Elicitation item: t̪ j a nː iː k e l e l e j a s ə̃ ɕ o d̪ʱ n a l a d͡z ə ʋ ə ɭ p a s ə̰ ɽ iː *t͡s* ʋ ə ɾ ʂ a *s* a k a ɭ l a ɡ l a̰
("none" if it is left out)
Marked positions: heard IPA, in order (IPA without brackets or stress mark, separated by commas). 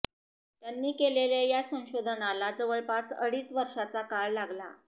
t͡s, t͡s